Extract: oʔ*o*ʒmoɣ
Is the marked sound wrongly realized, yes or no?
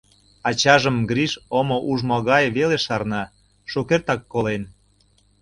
yes